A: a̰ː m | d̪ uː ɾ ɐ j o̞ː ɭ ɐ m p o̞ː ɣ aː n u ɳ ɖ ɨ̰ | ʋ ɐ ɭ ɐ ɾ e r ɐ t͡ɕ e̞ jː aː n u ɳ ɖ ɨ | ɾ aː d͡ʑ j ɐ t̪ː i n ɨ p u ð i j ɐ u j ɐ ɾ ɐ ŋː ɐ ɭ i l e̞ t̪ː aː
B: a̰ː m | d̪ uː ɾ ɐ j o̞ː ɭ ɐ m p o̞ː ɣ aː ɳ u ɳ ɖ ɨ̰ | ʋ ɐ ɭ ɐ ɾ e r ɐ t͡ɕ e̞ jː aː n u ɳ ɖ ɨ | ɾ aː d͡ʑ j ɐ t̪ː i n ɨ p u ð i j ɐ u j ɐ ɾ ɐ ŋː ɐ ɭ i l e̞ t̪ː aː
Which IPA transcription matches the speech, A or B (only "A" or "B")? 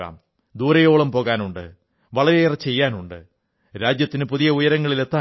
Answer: A